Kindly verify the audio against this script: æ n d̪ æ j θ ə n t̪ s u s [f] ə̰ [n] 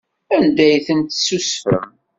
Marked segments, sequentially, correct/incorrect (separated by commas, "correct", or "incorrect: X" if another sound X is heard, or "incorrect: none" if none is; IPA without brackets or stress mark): correct, incorrect: m